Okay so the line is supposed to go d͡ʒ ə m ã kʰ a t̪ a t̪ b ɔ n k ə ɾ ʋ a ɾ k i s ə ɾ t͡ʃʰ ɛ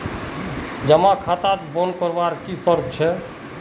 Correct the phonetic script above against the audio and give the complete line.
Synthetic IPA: d͡ʒ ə m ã kʰ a t̪ a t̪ b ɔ n k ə ɾ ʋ a ɾ k i s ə ɾ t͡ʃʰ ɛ

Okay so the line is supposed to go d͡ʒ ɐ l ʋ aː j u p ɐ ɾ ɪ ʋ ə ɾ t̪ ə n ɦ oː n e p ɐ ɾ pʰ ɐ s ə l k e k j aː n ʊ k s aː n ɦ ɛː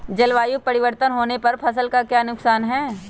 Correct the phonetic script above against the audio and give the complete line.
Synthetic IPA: d͡ʒ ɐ l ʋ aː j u p ɐ ɾ ɪ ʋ ə ɾ t̪ ə n ɦ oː n e p ɐ ɾ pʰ ɐ s ə l k a k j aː n ʊ k s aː n ɦ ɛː

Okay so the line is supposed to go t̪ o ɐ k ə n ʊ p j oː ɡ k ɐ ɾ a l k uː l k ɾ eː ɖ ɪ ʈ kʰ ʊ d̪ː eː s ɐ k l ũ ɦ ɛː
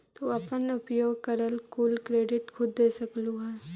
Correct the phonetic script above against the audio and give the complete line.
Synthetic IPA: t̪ o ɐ p ə n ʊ p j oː ɡ k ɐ ɾ ə l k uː l k ɾ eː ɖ ɪ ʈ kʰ ʊ d̪ː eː s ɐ k l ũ ɦ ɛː

